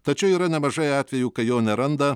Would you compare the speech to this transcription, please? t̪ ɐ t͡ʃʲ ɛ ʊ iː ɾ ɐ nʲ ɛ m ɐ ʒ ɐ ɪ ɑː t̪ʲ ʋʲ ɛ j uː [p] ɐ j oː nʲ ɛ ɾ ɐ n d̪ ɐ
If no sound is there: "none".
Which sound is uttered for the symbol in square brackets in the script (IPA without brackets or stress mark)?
k